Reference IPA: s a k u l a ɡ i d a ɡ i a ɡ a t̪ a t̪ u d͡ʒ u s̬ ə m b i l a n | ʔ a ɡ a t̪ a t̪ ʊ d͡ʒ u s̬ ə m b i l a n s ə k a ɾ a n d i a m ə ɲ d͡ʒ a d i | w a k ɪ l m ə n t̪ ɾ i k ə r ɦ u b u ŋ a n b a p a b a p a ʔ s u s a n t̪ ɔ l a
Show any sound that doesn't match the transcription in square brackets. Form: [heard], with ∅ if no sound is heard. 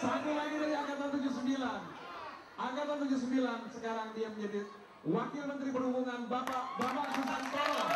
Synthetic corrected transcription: s a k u l a ɡ i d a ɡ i a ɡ a t̪ a t̪ u d͡ʒ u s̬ ə m b i l a n | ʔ a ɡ a t̪ a t̪ [u] d͡ʒ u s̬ ə m b i l a n s ə k a ɾ a [ŋ] d i a m ə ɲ d͡ʒ a d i | w a k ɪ l m ə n t̪ ɾ i [p] ə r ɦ u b u ŋ a n b a p a b a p a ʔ s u s a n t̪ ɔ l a